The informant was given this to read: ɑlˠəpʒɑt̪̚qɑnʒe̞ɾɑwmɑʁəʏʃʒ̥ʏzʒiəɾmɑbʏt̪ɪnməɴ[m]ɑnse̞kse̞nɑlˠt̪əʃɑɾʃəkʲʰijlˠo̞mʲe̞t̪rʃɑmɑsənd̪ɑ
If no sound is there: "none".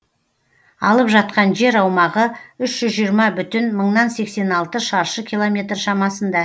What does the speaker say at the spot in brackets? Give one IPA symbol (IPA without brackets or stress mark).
n